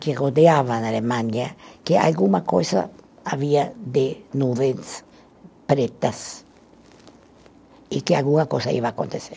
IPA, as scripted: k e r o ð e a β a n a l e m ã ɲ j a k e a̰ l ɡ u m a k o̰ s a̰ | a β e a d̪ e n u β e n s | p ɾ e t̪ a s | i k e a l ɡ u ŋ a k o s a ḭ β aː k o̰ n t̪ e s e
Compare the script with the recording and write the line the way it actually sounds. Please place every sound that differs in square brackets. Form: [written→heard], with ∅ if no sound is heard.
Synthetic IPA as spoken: k e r o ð e a β a n a l e m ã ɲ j a k e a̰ l ɡ u m a k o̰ s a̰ | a β [e→i] a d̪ e n u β e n s | p ɾ e t̪ a s | i k e a l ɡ u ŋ a k o s a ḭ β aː k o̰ n t̪ e s e